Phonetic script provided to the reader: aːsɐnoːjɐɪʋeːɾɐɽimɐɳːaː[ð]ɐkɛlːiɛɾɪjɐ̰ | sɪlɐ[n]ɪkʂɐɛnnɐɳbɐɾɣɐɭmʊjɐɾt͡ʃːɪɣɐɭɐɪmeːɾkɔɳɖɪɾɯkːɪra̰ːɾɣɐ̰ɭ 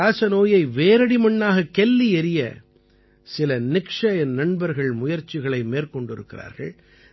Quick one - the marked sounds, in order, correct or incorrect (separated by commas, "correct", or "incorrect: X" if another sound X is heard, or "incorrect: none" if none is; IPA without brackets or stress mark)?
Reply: incorrect: ɣ, correct